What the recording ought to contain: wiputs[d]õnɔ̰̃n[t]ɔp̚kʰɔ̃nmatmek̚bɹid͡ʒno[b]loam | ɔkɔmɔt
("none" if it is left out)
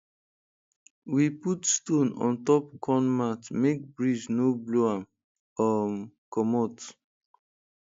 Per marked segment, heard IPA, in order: t, t, b

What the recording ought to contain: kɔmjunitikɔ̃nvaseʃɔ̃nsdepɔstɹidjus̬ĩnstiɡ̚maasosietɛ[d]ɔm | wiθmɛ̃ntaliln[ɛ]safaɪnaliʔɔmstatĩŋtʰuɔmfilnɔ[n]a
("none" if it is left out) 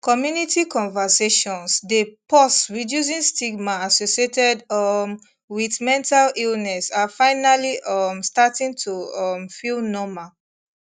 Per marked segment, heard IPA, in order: d, ɛ, m

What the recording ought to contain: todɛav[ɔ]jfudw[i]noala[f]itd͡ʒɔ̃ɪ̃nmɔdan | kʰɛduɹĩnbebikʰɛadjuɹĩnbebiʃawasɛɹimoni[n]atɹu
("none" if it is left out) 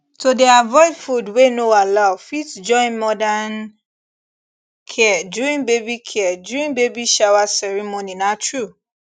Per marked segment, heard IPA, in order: ɔ, e, f, n

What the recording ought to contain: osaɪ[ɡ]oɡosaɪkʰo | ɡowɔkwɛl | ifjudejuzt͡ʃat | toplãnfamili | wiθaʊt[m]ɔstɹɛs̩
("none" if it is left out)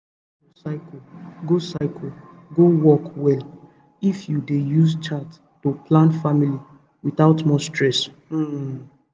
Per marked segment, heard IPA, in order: k, m

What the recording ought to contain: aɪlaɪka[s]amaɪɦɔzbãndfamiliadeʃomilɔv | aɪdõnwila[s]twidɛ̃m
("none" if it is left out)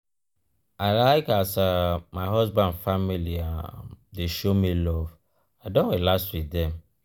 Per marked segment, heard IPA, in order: s, s

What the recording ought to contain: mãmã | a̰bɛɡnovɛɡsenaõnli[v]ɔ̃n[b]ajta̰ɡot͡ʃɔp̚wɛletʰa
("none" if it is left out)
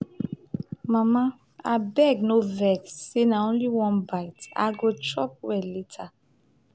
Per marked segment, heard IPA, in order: w, b

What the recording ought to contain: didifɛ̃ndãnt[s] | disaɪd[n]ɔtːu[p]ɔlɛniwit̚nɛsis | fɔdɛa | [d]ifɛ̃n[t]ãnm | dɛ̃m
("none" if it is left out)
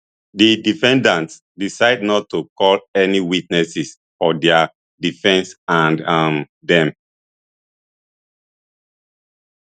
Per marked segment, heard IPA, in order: s, n, k, d, s

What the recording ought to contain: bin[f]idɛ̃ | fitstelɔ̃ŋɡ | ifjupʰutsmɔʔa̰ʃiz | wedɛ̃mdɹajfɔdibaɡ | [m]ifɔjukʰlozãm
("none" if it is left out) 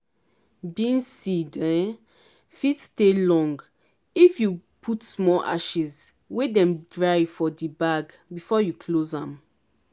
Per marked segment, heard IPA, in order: s, b

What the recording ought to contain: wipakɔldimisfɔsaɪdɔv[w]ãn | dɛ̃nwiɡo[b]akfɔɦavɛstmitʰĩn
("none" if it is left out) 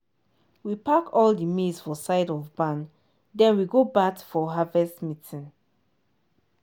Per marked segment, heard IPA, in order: b, b

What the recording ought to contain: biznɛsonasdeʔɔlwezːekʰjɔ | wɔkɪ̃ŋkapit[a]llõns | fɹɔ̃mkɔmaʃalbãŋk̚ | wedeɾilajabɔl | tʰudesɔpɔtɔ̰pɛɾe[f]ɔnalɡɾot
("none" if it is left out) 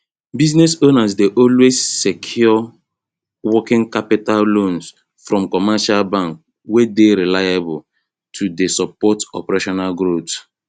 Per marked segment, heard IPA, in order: a, ʃ

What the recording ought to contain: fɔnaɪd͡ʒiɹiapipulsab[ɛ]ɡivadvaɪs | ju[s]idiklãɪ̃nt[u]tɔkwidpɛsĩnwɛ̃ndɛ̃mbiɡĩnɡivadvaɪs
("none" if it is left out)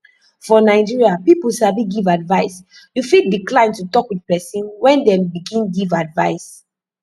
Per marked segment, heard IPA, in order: i, f, u

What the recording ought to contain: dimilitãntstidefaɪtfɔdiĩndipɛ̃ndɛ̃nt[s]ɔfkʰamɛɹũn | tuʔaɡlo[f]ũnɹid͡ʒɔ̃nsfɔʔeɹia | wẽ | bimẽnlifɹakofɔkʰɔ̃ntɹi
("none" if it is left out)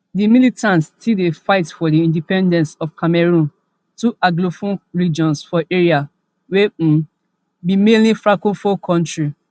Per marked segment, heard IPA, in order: s, f

